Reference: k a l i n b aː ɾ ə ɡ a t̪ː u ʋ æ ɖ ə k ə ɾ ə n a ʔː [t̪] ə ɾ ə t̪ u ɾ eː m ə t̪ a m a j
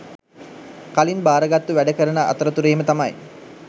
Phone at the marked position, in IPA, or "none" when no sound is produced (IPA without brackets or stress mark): t̪